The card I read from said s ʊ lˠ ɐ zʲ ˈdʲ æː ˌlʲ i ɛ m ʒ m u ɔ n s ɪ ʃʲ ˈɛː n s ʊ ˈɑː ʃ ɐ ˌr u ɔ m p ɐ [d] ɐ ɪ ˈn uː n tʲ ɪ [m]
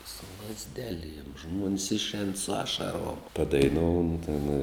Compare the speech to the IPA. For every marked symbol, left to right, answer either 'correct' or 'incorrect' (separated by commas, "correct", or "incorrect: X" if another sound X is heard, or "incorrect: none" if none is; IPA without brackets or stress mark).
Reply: correct, incorrect: n